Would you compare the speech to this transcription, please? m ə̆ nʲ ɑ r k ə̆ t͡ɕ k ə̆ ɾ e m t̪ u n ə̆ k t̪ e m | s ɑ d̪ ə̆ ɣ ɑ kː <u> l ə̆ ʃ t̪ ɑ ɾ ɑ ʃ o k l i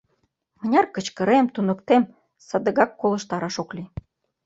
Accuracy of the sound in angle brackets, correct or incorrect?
incorrect